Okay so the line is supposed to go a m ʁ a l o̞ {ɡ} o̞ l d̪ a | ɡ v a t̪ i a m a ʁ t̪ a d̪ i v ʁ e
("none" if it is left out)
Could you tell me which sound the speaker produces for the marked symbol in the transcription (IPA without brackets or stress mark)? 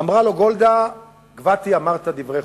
ɡ